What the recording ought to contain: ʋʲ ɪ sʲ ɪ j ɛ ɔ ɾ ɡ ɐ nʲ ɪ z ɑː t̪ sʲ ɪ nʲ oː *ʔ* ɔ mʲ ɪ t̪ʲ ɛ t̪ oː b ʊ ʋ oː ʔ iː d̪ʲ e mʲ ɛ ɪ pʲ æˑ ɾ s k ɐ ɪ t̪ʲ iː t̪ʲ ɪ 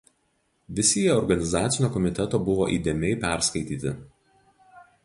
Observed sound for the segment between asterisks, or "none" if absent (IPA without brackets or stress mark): k